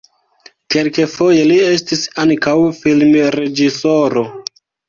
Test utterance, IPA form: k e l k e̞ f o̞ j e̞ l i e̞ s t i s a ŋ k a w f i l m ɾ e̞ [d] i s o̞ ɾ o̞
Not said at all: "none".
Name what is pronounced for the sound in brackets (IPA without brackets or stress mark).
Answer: d͡ʒ